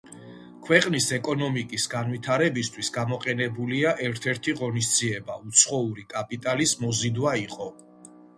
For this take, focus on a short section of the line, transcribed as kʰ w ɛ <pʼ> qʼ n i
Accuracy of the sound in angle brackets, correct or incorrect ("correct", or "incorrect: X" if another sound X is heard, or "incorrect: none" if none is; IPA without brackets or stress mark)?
incorrect: none